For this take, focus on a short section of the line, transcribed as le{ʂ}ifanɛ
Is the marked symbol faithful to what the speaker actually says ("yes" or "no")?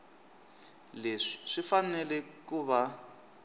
yes